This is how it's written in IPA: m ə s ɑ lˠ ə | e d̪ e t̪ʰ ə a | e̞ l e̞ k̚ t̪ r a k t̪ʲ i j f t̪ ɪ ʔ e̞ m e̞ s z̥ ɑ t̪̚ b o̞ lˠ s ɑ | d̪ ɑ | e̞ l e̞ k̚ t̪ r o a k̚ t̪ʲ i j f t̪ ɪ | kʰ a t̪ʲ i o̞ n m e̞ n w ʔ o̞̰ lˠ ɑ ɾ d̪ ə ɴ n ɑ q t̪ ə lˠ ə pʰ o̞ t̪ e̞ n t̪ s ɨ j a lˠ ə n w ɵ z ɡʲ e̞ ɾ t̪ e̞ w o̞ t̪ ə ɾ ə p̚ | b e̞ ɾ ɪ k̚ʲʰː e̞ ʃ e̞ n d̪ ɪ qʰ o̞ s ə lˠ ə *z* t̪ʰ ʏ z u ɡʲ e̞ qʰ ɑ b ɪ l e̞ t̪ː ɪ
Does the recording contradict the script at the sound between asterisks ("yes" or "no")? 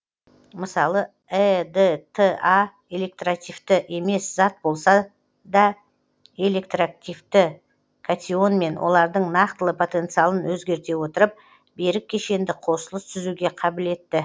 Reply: yes